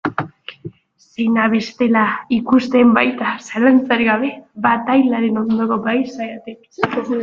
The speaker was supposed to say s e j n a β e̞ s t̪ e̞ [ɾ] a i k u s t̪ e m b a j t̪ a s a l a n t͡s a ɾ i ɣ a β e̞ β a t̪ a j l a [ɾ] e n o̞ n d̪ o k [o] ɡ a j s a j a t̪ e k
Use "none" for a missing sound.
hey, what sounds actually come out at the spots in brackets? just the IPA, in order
l, ɾ, o

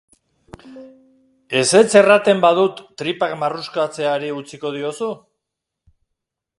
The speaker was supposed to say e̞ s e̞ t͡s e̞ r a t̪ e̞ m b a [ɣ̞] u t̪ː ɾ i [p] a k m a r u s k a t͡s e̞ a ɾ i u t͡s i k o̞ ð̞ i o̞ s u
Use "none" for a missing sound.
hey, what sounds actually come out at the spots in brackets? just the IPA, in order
ð̞, p

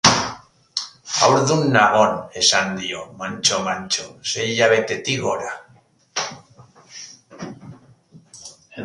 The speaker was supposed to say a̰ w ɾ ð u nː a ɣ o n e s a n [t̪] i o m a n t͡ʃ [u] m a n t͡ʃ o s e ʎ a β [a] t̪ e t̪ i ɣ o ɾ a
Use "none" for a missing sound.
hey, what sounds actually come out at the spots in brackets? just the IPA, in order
d̪, o, e

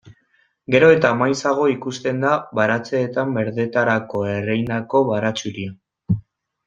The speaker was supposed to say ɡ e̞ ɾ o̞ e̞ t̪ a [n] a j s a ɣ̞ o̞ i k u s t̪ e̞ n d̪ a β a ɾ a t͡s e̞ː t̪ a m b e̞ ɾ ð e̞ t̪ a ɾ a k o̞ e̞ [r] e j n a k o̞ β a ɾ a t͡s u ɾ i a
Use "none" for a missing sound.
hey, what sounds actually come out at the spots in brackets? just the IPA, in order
m, r

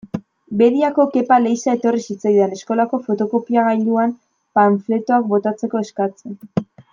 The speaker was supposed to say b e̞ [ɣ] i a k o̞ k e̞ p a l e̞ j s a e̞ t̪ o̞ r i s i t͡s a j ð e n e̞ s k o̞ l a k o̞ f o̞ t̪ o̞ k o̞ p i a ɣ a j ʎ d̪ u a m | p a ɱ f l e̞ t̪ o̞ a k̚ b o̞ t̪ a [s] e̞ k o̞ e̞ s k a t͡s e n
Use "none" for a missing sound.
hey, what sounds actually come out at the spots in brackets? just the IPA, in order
ð, t͡s

